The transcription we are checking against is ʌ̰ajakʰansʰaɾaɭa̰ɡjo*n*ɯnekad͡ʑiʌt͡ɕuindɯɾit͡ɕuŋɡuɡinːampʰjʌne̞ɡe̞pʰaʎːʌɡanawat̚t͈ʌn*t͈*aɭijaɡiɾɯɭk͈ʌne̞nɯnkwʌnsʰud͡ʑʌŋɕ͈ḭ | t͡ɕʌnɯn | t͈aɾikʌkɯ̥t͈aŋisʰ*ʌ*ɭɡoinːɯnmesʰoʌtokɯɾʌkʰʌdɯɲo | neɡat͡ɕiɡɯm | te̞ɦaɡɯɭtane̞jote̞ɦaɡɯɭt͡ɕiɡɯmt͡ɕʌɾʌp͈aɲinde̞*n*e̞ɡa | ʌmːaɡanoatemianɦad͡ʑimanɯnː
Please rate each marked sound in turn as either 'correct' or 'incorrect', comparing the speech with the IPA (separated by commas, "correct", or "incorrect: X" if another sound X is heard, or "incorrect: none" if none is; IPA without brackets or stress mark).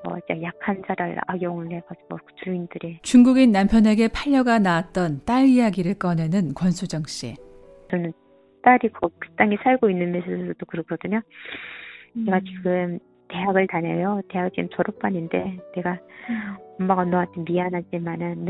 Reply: incorrect: ŋ, correct, incorrect: a, correct